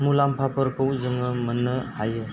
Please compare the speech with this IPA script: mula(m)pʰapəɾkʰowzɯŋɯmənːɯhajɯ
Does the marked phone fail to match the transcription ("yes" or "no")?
no